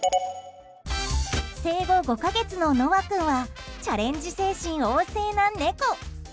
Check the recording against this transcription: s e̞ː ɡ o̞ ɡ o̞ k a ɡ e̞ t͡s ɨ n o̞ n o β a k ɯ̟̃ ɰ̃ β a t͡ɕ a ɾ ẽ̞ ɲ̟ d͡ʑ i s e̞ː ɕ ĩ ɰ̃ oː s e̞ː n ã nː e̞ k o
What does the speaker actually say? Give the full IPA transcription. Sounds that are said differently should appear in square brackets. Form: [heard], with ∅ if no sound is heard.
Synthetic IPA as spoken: s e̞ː ɡ o̞ ɡ o̞ k a ɡ e̞ t͡s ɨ n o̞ n o β a k ɯ̟̃ ɰ̃ β a t͡ɕ a ɾ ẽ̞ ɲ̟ d͡ʑ i s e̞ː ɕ ĩ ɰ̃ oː s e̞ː n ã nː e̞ k o